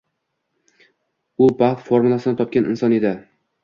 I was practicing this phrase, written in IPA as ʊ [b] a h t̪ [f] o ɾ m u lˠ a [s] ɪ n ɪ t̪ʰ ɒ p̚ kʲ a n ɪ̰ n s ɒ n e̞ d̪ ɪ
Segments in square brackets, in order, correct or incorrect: correct, correct, correct

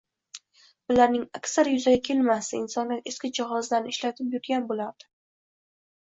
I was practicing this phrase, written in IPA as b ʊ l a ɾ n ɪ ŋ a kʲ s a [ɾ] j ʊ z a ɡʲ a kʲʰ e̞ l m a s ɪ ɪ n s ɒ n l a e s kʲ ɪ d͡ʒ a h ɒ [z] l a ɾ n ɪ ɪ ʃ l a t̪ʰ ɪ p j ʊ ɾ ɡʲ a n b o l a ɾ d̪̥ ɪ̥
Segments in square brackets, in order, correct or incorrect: correct, correct

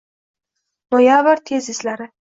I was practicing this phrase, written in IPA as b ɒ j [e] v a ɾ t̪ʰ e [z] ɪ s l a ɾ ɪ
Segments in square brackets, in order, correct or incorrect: incorrect, correct

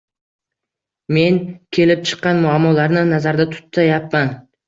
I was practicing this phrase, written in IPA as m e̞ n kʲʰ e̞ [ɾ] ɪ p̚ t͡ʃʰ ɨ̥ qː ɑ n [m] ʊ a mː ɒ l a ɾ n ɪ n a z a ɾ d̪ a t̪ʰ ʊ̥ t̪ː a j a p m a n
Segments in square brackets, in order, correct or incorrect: incorrect, correct

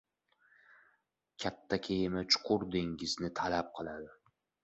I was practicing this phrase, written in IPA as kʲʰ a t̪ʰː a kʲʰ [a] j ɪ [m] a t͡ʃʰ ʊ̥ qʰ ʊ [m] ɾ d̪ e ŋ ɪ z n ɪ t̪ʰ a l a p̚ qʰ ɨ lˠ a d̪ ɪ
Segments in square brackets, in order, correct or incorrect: incorrect, correct, incorrect

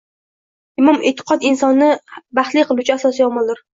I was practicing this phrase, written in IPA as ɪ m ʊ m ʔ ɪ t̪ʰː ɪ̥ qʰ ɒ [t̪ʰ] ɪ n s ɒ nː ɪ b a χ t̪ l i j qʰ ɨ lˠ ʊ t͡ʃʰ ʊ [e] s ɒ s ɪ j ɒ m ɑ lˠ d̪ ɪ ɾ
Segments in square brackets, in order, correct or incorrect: incorrect, incorrect

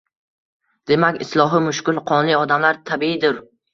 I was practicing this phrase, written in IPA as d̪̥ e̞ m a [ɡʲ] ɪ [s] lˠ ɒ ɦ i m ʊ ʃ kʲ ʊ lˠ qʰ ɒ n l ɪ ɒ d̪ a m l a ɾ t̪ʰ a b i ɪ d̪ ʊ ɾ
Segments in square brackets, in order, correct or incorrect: incorrect, correct

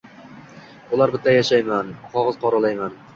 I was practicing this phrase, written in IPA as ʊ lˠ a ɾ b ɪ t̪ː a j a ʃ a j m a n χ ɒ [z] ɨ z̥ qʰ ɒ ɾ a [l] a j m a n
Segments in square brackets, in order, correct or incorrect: incorrect, correct

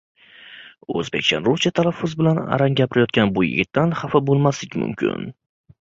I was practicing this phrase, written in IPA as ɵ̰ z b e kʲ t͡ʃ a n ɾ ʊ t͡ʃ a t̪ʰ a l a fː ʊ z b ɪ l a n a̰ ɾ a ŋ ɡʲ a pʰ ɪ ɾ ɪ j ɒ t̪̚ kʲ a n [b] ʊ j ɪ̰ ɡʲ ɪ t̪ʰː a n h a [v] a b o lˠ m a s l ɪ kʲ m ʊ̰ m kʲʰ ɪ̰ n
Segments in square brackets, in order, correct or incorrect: correct, incorrect

